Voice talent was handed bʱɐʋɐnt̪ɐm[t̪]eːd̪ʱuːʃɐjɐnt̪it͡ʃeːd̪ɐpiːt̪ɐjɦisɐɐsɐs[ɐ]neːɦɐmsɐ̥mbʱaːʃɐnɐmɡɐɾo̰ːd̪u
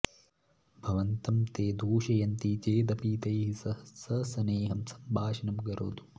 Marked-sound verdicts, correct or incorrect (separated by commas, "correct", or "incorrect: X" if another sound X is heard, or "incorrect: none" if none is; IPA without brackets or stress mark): correct, correct